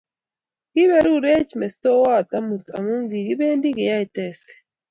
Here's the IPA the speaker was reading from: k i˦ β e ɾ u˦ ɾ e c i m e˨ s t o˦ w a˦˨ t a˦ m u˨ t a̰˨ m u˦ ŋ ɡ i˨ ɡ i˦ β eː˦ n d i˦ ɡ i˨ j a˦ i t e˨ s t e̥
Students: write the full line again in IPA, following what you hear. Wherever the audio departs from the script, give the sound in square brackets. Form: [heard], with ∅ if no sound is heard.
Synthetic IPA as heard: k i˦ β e ɾ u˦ ɾ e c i m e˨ s t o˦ w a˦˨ t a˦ m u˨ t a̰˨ m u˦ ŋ ɡ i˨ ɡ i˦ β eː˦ n d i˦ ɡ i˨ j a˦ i t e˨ s t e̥

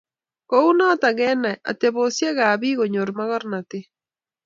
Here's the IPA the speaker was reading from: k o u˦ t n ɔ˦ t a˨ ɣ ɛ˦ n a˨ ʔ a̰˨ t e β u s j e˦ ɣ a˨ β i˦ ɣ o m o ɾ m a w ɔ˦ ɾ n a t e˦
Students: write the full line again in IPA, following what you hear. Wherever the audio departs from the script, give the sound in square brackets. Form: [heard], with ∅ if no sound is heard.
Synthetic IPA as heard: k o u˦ [∅] n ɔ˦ t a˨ ɣ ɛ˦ n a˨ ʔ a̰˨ t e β [o] s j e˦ ɣ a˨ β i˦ ɣ o [ɲ] o ɾ m a [ɣ] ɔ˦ ɾ n a t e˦

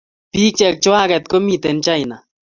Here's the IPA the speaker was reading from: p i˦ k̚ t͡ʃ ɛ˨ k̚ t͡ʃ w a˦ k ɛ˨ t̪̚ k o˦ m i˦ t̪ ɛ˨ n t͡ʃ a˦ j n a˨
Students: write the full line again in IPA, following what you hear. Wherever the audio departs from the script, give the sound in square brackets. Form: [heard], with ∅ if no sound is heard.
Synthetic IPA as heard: p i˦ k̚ t͡ʃ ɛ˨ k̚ t͡ʃ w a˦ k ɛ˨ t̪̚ k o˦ m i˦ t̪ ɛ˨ n t͡ʃ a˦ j n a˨

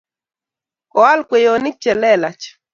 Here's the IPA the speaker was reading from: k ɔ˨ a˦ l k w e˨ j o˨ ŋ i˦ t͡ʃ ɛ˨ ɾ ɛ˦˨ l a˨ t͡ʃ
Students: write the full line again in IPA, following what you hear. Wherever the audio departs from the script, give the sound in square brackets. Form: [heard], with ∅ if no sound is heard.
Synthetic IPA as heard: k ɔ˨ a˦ l k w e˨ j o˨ [n] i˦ t͡ʃ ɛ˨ [l] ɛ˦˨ l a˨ t͡ʃ

